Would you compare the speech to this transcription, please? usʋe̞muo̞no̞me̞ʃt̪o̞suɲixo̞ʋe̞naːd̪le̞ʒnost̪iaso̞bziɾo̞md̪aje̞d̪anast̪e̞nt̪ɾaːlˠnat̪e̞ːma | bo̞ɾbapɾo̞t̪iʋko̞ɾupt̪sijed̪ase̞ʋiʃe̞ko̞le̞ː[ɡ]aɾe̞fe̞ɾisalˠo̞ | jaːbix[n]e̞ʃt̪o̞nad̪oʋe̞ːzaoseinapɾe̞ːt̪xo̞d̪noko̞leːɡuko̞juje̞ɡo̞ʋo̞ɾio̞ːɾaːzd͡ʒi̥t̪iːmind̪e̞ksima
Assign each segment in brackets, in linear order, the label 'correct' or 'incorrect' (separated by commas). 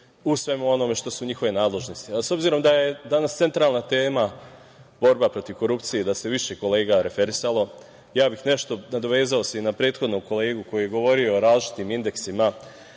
correct, correct